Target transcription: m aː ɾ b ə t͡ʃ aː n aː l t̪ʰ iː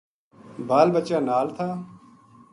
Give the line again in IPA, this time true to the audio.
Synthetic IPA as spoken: b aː l b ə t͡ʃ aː n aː l t̪ʰ aː